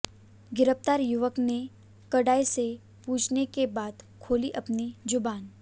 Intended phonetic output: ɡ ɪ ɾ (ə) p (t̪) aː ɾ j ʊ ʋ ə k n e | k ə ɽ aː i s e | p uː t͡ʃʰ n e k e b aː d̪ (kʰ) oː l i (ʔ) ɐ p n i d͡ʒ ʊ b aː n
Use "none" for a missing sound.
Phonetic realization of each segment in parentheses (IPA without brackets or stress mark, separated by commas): ə, t̪, kʰ, ʔ